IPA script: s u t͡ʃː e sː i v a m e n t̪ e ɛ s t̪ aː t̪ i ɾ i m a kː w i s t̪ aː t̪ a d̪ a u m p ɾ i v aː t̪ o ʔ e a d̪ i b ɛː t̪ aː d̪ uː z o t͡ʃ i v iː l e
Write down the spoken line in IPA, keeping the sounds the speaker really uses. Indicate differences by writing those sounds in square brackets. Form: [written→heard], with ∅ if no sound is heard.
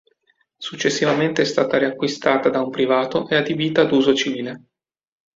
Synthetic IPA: s u t͡ʃː e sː i v a m e n t̪ e ɛ s t̪ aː t̪ [i→a] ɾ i [m→∅] a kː w i s t̪ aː t̪ a d̪ a u m p ɾ i v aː t̪ o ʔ e a d̪ i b [ɛː→iː] t̪ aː d̪ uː z o t͡ʃ i v iː l e